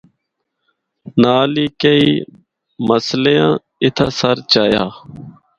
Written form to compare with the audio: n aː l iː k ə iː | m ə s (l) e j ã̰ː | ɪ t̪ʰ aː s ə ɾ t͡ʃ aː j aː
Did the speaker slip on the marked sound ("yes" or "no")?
no